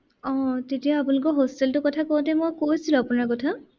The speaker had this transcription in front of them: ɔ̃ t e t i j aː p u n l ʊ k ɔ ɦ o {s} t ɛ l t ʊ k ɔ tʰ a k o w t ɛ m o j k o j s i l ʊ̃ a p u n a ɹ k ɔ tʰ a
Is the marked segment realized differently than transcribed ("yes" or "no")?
no